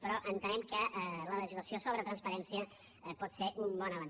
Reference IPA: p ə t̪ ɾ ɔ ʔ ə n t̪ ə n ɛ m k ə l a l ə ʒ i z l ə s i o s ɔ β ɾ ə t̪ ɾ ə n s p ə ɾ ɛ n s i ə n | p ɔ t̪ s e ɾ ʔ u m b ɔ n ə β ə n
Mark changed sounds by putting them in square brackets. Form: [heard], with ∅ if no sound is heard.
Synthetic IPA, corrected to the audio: p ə [∅] ɾ ɔ ʔ ə n t̪ ə n ɛ m k ə l [ə] l ə ʒ i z l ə s i o s [o] β ɾ ə t̪ ɾ ə n s p ə ɾ ɛ n s i ə [∅] | p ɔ t̪ s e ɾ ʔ u m b ɔ n ə β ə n